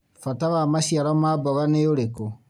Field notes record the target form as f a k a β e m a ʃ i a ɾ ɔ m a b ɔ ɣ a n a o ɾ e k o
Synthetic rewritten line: f a t a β a m a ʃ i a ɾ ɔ m a b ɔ ɣ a n e o ɾ e k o